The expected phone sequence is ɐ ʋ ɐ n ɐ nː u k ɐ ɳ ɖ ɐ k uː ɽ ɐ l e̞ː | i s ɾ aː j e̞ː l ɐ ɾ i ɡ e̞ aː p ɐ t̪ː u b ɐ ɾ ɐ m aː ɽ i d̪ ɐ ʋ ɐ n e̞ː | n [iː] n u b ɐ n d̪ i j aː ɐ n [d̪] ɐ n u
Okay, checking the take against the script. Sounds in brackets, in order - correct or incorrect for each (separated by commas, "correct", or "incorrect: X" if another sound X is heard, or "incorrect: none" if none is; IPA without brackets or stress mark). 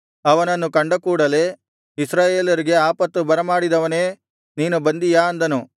correct, correct